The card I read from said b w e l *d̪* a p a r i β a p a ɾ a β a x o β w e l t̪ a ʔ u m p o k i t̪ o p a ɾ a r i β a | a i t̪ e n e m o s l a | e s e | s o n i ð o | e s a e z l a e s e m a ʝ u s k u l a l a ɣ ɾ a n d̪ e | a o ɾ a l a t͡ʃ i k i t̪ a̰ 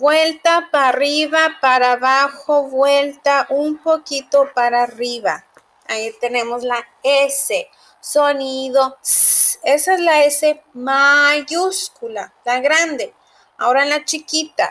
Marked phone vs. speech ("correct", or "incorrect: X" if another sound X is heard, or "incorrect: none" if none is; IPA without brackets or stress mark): incorrect: t̪